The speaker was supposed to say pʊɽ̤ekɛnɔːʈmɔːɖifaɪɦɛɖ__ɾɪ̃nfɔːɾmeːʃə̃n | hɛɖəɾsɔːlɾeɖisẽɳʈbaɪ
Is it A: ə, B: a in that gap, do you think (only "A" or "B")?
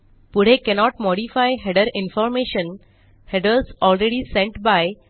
A